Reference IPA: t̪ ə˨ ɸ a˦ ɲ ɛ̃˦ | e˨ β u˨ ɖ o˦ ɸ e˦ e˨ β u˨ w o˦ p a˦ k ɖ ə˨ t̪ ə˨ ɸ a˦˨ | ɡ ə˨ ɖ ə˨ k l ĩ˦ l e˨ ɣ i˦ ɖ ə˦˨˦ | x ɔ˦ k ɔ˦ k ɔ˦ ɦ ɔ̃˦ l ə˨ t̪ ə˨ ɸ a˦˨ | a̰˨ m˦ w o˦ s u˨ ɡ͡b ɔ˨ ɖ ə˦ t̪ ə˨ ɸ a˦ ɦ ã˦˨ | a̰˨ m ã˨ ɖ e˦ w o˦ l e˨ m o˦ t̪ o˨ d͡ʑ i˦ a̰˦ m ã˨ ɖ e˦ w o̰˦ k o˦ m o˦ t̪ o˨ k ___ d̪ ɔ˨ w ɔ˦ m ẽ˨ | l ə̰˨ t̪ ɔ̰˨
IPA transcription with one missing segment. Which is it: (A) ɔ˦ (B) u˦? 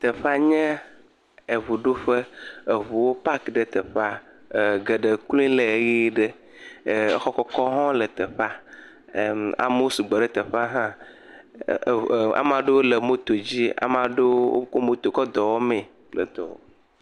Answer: A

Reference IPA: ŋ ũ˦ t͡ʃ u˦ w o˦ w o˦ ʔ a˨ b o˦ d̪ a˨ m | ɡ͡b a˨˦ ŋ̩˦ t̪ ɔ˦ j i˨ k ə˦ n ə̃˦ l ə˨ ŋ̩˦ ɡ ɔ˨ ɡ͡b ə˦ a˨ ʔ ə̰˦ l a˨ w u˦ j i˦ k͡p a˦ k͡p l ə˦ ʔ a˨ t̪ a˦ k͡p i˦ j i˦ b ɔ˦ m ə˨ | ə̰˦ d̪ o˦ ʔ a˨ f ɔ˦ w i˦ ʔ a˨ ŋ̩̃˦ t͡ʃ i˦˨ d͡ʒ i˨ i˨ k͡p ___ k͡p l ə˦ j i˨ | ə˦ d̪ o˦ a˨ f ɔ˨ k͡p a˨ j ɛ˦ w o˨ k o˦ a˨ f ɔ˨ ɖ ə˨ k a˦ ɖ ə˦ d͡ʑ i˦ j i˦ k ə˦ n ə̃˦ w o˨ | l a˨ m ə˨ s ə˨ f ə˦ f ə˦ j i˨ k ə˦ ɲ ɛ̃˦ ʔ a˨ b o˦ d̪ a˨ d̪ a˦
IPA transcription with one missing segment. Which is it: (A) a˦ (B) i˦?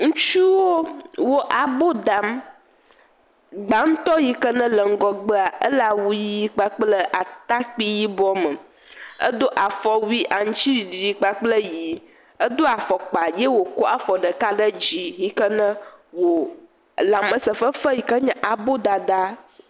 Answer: A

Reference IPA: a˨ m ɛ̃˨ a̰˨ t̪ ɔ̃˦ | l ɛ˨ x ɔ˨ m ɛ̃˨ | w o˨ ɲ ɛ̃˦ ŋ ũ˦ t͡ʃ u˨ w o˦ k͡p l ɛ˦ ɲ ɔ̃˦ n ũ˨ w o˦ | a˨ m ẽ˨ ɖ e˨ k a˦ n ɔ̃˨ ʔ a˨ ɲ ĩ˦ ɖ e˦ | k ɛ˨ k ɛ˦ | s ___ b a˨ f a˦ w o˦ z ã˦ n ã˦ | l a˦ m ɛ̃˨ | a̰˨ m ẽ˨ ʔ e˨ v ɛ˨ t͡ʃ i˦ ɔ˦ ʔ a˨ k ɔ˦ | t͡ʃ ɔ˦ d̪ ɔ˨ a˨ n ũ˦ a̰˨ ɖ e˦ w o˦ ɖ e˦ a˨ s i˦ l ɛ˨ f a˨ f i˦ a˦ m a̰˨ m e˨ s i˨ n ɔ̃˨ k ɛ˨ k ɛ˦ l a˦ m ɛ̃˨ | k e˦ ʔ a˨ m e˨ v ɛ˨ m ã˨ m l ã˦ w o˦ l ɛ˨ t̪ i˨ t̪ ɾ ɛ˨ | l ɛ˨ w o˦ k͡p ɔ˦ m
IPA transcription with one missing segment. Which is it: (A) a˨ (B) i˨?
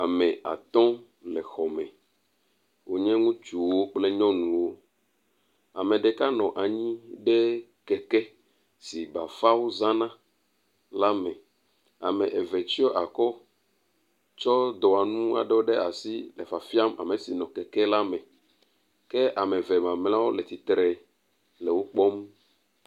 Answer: B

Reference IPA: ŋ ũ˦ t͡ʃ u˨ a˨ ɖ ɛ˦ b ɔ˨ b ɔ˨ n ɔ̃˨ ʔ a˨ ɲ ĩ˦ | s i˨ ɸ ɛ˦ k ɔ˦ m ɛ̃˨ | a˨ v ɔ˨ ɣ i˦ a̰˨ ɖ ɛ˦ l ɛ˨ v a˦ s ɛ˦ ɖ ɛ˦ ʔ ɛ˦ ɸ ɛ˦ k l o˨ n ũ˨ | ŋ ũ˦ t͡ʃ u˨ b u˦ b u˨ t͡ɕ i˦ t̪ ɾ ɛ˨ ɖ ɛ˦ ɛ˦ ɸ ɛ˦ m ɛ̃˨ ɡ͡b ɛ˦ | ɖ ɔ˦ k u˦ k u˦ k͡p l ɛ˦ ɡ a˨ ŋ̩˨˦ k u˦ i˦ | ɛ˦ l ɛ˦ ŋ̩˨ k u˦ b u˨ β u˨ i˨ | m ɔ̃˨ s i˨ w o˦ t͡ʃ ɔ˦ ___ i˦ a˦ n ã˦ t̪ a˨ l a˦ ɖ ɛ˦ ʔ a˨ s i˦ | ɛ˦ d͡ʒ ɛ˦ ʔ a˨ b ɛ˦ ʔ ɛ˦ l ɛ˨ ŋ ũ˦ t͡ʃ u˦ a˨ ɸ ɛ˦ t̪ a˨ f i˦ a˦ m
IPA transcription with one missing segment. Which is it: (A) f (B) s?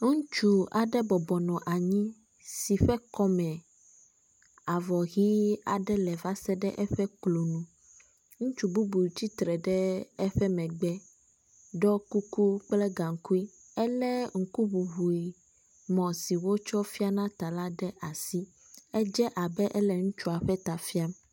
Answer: A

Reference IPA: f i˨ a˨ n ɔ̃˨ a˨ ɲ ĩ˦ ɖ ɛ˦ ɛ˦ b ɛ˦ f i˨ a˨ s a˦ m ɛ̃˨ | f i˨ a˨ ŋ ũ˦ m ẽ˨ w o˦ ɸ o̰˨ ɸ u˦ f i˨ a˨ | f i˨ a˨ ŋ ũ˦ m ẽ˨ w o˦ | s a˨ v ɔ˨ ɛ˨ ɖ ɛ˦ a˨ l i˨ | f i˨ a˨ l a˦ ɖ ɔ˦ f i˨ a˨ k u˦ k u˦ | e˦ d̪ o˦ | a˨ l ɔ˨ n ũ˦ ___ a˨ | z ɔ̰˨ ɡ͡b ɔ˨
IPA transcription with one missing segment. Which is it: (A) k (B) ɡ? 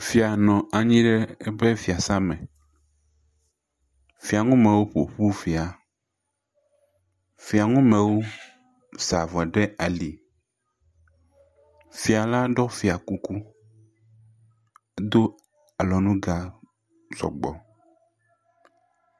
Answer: B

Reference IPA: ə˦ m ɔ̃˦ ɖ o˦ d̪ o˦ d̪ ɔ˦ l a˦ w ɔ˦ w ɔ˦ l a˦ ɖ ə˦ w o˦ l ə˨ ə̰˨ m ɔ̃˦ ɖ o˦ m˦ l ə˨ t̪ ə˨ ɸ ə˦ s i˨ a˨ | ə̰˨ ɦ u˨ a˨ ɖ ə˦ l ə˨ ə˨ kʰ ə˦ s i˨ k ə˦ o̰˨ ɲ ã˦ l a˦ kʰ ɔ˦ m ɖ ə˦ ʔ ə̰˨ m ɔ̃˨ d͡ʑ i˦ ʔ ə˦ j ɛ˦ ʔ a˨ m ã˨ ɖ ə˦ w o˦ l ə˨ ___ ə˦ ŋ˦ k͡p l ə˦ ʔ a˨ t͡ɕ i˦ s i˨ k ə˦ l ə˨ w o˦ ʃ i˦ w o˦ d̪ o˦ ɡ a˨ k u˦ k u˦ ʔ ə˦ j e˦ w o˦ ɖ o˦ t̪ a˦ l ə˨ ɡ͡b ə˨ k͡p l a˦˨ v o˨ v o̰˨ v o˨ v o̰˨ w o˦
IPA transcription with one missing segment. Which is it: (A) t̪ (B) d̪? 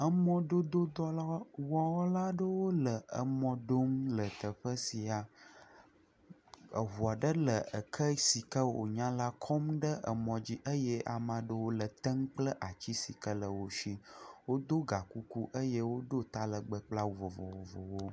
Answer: A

